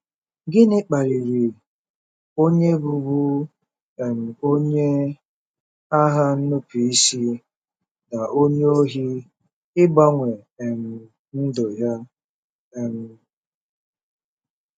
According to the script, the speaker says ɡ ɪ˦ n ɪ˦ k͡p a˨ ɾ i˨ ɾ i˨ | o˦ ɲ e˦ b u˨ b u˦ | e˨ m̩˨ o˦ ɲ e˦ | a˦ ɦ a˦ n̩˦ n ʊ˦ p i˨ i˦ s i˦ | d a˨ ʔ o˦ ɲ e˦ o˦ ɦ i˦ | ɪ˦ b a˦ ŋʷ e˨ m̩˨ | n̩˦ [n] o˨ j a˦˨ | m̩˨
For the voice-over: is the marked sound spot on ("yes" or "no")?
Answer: no